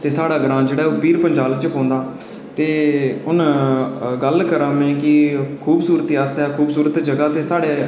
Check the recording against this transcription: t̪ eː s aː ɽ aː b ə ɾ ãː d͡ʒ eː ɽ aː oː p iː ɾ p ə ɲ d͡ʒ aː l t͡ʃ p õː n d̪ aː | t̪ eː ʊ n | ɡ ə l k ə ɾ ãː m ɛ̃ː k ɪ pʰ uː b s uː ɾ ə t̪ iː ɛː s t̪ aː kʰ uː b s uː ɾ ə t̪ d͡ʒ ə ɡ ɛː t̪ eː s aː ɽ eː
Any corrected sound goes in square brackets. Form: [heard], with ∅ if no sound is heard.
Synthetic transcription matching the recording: t̪ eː s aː ɽ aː [ɡ] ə ɾ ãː d͡ʒ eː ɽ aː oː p iː ɾ p ə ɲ d͡ʒ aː l t͡ʃ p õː n d̪ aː | t̪ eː ʊ n | ɡ ə l k ə ɾ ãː m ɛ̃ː k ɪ [kʰ] uː b s uː ɾ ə t̪ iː [aː] s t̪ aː kʰ uː b s uː ɾ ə t̪ d͡ʒ ə ɡ [aː] t̪ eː s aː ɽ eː

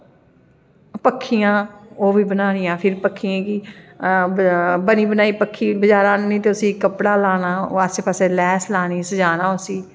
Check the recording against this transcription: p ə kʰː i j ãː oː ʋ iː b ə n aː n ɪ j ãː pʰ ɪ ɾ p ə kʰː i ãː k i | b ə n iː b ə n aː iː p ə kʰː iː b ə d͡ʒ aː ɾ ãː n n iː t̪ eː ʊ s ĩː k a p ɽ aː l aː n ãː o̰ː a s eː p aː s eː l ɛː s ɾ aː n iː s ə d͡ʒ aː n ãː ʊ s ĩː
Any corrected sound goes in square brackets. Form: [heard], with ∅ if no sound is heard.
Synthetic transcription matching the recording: p ə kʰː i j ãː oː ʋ iː b ə n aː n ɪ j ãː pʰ ɪ ɾ p ə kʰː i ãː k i | b ə n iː b ə n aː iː p ə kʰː iː b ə d͡ʒ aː ɾ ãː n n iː t̪ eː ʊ s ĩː k [ə] p ɽ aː l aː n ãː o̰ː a s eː p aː s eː l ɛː s [l] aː n iː s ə d͡ʒ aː n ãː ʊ s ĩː

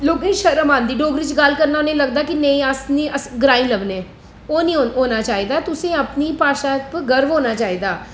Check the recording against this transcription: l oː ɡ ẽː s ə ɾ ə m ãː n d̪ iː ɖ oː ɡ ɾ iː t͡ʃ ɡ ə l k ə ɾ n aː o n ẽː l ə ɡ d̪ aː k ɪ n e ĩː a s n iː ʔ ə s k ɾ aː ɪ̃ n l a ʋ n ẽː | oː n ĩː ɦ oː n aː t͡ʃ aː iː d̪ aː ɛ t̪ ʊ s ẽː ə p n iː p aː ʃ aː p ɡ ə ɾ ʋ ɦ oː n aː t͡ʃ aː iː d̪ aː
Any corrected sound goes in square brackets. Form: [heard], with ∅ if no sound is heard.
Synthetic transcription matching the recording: l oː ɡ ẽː [ʃ] ə ɾ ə m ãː n d̪ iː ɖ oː ɡ ɾ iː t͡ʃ ɡ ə l k ə ɾ n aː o n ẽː l ə ɡ d̪ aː k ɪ n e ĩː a s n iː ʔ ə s [ɡ] ɾ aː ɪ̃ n l [ə] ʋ n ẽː | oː n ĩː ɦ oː n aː t͡ʃ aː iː d̪ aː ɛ t̪ ʊ s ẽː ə p n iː p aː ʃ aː p ɡ ə ɾ ʋ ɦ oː n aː t͡ʃ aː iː d̪ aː

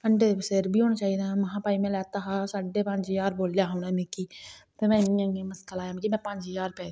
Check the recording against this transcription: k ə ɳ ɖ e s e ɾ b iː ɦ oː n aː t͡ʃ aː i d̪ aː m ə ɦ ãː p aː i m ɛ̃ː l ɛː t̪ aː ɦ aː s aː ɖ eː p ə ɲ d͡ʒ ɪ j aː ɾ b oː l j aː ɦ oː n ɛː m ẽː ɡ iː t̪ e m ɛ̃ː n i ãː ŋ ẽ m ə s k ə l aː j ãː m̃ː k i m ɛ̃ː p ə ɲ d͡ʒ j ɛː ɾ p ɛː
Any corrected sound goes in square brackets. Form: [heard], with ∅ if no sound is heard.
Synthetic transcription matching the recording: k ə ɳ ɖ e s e ɾ b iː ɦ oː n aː t͡ʃ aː i d̪ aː m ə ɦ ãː p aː i m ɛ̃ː l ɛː t̪ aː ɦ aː s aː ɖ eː p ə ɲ d͡ʒ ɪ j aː ɾ b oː l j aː ɦ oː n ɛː m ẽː [k] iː t̪ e m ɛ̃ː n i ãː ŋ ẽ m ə s k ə l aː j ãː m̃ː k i m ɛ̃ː p ə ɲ d͡ʒ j [aː] ɾ p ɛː

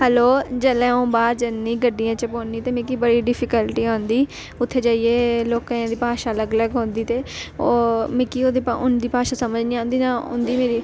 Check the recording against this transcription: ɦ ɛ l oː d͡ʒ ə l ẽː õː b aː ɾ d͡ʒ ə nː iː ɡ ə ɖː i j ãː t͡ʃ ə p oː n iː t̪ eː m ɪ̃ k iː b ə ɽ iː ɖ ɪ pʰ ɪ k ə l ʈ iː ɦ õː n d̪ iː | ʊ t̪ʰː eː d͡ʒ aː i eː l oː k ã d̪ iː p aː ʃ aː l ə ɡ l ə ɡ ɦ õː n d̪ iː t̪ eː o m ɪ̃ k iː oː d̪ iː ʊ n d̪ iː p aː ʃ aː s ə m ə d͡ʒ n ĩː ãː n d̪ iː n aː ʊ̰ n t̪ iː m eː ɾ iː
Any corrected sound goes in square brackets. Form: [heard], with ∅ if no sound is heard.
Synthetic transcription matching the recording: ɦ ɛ l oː d͡ʒ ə l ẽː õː b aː ɾ d͡ʒ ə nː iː ɡ ə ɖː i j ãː t͡ʃ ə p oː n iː t̪ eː m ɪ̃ k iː b ə ɽ iː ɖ ɪ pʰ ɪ k ə l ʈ iː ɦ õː n d̪ iː | ʊ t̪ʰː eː d͡ʒ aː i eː l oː k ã d̪ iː p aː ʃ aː l ə ɡ l ə ɡ ɦ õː n d̪ iː t̪ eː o m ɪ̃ k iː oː d̪ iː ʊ n d̪ iː p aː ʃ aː s ə m ə d͡ʒ n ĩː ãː n d̪ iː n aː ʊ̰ n [d̪] iː m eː ɾ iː

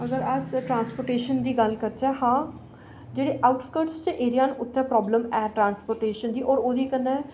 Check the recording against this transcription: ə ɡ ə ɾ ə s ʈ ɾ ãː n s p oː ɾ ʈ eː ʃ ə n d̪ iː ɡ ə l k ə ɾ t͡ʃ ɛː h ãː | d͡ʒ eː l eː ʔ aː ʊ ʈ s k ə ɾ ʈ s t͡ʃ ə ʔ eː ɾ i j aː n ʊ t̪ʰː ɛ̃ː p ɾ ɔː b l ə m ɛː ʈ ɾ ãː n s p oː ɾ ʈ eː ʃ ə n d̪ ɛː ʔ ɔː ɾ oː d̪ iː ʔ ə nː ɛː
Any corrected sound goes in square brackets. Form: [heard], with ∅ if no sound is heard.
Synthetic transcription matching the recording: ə ɡ ə ɾ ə s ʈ ɾ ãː n s p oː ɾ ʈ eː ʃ ə n d̪ iː ɡ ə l k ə ɾ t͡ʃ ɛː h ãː | d͡ʒ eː [ɽ] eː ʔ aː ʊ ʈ s k ə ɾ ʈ s t͡ʃ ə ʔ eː ɾ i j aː n ʊ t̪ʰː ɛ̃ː p ɾ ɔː b l ə m ɛː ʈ ɾ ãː n s p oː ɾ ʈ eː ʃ ə n d̪ [iː] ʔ ɔː ɾ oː d̪ iː [k] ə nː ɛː

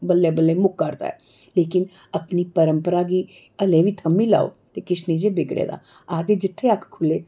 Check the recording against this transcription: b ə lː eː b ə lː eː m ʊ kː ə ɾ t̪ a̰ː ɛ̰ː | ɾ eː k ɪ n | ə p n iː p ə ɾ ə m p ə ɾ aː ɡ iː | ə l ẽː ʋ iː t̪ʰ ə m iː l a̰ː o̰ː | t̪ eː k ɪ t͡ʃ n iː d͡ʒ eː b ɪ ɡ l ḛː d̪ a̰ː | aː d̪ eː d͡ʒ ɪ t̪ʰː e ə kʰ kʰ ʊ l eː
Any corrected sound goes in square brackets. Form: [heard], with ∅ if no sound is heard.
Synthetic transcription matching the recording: b ə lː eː b ə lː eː m ʊ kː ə ɾ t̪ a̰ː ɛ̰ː | [l] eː k ɪ n | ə p n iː p ə ɾ ə m p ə ɾ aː ɡ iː | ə l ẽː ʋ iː t̪ʰ ə m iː l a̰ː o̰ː | t̪ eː k ɪ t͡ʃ n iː d͡ʒ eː b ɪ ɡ [ɽ] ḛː d̪ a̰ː | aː d̪ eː d͡ʒ ɪ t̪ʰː e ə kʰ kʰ ʊ l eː

